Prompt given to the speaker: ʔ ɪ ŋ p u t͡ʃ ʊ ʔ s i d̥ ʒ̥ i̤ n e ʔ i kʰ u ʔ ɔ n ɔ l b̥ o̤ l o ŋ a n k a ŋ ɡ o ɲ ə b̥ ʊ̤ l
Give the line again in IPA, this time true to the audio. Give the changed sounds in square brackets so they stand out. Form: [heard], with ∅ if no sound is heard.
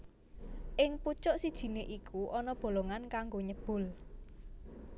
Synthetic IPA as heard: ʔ ɪ ŋ p u t͡ʃ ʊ ʔ s i d̥ ʒ̥ i̤ n e ʔ i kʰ u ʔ ɔ n ɔ [∅] b̥ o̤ l o ŋ a n k a ŋ ɡ o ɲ ə b̥ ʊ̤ l

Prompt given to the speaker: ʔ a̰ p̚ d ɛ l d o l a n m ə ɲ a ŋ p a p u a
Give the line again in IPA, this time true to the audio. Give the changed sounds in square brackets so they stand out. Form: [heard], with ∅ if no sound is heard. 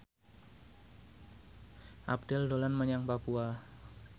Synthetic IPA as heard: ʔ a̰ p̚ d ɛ l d o l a n m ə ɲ a ŋ p a p u a

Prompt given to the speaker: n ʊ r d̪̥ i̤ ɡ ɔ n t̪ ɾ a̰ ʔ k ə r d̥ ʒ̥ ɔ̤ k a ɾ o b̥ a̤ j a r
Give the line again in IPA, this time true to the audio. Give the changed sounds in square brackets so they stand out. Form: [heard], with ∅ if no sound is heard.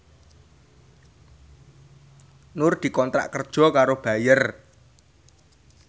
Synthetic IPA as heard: n ʊ r d̪̥ i̤ [k] ɔ n t̪ ɾ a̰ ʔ k ə r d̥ ʒ̥ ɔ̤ k a ɾ o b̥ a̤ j [ə] r

